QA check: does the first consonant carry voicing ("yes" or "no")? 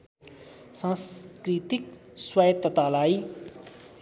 no